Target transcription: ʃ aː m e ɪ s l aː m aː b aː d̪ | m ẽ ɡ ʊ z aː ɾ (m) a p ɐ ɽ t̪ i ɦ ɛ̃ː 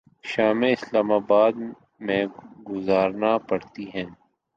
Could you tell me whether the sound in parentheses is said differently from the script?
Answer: yes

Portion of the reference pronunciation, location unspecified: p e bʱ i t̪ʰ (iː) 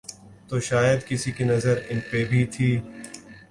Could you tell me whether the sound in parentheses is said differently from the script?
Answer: no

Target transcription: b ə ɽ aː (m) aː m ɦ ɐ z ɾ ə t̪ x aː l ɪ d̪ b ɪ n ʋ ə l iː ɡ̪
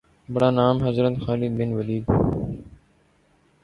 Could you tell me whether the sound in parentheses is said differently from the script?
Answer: yes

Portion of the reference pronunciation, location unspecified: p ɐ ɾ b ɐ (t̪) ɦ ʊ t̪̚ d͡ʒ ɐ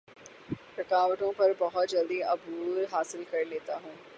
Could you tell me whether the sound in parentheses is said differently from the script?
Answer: yes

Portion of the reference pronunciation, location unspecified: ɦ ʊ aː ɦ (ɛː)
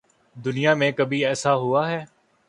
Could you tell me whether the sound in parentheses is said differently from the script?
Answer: no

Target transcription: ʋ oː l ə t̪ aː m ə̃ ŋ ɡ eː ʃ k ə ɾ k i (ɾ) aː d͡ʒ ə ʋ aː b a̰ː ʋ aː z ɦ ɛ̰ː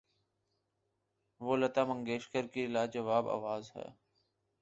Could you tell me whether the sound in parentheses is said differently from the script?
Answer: yes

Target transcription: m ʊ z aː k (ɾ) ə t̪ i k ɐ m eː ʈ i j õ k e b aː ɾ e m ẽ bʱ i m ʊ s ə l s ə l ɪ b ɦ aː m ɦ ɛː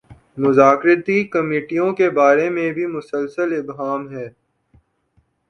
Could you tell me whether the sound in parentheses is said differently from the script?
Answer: no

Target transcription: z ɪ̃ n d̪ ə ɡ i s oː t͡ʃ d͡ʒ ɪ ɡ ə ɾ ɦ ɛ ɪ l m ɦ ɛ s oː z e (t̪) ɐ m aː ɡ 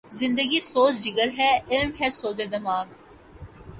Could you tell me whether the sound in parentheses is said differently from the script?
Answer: yes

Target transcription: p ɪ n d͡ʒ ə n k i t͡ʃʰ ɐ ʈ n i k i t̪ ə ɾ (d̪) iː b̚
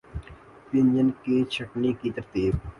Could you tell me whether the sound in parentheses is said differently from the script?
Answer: yes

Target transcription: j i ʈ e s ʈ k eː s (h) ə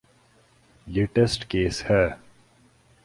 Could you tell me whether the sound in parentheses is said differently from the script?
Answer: no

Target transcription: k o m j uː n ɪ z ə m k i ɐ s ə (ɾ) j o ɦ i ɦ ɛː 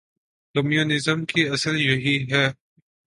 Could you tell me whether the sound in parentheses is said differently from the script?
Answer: yes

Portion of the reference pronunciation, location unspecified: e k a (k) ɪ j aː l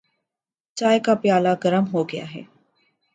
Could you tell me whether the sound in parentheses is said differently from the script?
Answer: yes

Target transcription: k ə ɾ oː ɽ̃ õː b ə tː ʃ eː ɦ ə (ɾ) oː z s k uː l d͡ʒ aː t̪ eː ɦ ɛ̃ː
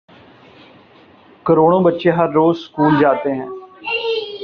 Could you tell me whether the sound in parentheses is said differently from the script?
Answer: yes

